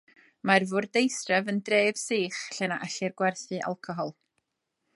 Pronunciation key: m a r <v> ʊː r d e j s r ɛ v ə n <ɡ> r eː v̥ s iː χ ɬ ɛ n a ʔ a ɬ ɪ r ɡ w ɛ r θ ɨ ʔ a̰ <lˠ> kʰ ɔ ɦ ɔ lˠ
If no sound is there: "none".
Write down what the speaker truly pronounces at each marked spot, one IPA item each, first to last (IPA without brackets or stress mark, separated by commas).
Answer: v, d, lˠ